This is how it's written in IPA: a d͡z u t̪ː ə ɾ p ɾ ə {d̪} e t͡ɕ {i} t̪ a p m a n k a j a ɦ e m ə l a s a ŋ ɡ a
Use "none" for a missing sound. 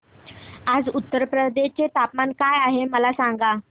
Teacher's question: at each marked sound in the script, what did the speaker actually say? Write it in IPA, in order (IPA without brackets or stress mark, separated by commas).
d̪, e